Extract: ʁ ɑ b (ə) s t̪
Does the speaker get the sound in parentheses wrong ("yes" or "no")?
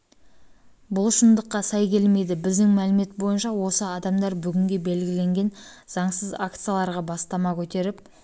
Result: yes